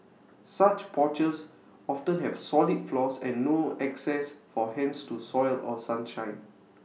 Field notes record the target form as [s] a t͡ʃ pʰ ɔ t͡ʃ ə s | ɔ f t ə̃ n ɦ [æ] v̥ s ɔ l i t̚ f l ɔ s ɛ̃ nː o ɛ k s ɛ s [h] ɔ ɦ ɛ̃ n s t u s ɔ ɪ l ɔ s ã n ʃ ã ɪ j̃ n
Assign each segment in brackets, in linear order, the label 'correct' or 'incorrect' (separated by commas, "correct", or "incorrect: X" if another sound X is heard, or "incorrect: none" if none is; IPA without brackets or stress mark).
correct, incorrect: ɛ, incorrect: f